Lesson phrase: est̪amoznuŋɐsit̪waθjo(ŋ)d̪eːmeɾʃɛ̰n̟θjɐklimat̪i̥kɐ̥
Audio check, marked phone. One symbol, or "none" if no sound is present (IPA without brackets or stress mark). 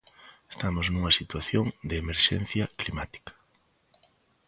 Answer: ŋ